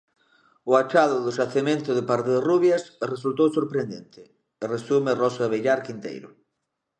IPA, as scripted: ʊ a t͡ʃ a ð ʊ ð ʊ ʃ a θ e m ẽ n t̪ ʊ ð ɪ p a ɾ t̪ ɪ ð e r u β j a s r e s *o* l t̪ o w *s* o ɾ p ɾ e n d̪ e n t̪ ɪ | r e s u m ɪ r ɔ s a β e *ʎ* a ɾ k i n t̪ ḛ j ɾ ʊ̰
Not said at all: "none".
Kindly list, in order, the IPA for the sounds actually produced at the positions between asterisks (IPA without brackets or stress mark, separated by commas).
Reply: u, s, ʎ